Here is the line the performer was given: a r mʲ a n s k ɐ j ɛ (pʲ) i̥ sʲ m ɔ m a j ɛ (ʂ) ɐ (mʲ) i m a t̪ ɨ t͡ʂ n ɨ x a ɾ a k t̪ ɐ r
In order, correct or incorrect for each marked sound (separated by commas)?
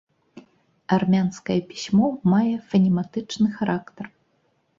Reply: correct, incorrect, incorrect